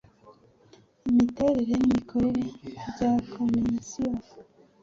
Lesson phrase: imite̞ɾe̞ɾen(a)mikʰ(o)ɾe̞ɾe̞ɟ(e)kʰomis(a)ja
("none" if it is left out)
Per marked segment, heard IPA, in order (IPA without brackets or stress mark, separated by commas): i, o, a, i